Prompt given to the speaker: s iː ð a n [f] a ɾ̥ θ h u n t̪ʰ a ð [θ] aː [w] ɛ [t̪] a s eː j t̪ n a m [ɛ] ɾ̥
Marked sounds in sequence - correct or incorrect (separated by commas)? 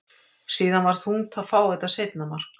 incorrect, incorrect, correct, correct, incorrect